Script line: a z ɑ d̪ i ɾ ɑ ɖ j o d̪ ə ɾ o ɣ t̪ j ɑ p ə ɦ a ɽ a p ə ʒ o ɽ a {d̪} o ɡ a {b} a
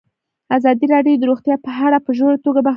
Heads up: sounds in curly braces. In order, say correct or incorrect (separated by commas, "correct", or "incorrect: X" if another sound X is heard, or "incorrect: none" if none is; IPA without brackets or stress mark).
incorrect: t̪, correct